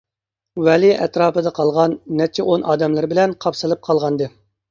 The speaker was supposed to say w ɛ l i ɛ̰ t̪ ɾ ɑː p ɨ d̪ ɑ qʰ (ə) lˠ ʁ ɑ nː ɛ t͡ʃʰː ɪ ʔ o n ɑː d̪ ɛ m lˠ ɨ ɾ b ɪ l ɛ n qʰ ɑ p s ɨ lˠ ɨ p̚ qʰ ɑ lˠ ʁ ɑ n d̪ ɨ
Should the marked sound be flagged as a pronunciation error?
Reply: yes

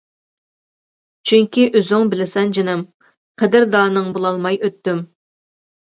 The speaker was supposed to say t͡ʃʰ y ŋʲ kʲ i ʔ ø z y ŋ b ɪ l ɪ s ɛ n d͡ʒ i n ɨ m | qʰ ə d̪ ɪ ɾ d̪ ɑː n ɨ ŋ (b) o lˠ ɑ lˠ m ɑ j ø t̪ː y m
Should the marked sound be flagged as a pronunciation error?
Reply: no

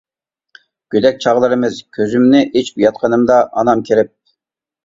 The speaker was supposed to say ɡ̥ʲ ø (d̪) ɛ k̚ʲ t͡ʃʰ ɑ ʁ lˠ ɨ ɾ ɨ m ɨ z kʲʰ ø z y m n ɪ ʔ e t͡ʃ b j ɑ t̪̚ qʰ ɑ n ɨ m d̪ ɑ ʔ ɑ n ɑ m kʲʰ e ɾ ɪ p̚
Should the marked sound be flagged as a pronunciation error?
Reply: no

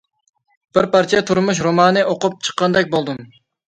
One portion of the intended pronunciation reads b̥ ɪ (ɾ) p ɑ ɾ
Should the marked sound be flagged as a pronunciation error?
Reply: no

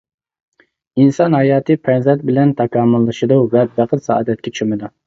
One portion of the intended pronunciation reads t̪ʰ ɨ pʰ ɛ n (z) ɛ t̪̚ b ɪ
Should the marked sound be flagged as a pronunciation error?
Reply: no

